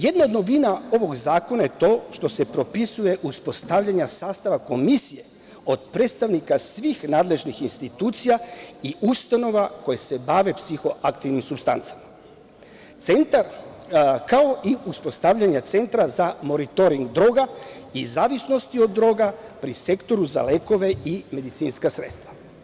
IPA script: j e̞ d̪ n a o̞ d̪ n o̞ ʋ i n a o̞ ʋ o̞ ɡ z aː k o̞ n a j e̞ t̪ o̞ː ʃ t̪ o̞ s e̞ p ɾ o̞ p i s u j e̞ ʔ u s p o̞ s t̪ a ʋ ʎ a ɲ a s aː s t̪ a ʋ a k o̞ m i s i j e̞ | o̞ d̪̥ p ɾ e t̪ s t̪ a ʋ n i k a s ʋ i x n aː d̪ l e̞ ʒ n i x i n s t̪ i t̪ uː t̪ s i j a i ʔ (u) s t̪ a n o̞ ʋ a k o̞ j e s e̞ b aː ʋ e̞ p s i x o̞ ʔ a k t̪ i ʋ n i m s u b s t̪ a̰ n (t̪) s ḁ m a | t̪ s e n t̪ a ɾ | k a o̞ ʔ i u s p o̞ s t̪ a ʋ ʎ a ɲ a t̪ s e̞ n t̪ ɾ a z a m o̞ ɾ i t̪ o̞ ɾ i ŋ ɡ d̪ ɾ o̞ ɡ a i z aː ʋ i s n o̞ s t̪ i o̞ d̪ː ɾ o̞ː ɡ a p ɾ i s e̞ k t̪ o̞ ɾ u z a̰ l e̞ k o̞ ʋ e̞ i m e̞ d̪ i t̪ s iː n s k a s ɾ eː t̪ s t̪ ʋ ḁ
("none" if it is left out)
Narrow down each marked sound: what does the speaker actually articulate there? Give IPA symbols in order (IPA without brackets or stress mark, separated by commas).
u, t̪